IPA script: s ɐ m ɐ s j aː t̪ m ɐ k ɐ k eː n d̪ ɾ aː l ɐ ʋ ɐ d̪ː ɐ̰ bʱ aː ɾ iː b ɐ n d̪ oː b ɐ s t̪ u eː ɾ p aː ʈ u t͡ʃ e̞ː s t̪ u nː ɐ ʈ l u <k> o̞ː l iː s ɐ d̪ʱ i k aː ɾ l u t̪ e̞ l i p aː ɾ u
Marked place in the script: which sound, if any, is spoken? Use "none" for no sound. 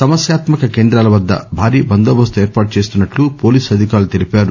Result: p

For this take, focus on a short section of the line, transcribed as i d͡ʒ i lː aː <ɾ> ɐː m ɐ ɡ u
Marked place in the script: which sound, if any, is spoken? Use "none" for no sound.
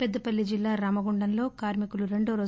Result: ɾ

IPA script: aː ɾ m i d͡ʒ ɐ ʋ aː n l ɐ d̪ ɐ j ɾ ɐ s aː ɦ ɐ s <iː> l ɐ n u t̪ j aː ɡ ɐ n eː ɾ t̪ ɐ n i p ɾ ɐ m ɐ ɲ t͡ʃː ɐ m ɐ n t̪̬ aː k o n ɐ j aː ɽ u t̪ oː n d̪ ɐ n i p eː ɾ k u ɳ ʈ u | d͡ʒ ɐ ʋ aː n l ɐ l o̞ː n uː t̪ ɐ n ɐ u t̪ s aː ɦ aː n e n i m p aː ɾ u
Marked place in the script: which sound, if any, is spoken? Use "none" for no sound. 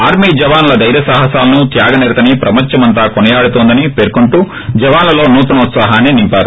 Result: aː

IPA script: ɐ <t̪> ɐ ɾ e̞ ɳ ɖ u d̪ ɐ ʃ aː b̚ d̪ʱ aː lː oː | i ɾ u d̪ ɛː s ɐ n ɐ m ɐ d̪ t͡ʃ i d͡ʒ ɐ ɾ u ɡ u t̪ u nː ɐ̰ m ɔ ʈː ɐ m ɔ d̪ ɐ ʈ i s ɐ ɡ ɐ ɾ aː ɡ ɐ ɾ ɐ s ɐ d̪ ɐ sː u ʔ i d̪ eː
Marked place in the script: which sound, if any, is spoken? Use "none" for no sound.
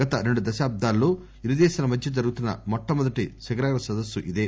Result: t̪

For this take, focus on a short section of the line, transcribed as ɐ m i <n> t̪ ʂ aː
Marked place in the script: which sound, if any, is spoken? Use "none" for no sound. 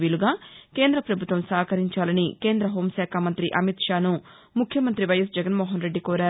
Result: none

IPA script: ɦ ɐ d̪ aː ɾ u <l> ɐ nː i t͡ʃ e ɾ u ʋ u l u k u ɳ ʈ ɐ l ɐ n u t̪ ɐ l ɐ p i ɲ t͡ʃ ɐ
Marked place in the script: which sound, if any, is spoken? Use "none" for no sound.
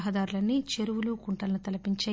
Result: l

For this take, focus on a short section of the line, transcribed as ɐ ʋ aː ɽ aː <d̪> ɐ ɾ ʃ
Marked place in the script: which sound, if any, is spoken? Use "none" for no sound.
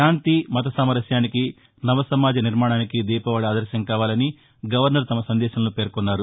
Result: d̪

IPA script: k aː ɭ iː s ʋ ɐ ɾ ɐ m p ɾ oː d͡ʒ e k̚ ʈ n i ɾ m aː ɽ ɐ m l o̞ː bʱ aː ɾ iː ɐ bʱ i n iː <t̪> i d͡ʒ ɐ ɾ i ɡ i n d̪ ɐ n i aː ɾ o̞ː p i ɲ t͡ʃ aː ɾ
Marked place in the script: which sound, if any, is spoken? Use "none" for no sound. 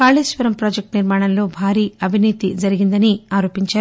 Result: t̪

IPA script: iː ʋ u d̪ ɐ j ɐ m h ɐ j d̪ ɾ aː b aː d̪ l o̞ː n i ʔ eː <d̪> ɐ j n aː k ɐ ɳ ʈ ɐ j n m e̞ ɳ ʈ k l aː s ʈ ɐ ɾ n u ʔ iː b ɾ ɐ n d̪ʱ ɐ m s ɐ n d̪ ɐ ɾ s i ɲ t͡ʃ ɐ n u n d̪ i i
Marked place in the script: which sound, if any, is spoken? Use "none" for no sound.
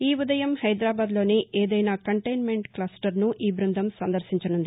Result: d̪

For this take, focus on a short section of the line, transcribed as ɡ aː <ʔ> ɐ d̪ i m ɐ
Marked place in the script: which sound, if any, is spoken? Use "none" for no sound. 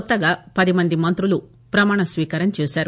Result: p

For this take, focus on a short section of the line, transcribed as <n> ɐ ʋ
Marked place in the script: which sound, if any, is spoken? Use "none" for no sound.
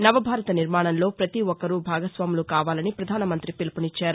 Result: n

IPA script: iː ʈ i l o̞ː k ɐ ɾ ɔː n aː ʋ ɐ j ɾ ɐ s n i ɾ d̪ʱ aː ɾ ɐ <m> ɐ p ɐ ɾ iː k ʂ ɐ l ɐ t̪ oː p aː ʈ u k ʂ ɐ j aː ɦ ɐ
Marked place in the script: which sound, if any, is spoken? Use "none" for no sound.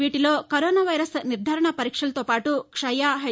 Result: ɳ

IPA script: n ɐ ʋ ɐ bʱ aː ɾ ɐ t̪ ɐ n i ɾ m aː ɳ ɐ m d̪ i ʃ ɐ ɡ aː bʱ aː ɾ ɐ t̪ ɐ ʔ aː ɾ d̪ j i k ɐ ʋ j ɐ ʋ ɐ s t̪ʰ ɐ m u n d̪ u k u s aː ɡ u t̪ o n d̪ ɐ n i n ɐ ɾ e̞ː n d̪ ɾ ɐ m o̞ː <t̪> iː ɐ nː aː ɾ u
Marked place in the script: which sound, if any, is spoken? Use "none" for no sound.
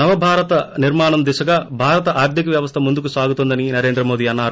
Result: d̪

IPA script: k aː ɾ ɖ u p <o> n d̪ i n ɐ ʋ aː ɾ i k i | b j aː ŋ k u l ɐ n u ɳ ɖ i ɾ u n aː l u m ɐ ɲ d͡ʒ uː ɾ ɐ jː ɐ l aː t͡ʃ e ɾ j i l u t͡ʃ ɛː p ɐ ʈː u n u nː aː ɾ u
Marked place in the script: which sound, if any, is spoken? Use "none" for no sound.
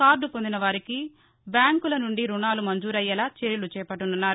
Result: o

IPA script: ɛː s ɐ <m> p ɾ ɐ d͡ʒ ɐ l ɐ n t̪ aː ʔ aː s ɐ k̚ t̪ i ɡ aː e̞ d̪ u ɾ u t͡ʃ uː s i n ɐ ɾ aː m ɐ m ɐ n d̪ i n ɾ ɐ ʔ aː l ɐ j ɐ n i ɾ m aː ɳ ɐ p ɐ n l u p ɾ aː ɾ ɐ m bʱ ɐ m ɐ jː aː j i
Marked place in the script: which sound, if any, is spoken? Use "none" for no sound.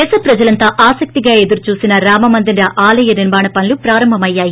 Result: none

